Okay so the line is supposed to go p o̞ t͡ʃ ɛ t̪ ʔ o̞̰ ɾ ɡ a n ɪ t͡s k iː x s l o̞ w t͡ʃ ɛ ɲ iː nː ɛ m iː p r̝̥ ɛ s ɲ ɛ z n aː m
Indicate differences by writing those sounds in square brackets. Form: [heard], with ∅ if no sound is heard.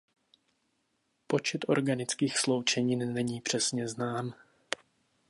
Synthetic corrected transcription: p o̞ t͡ʃ ɛ t̪ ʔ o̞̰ ɾ ɡ a n ɪ t͡s k iː x s l o̞ w t͡ʃ ɛ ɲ iː nː ɛ [ɲ] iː p r̝̥ ɛ s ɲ ɛ z n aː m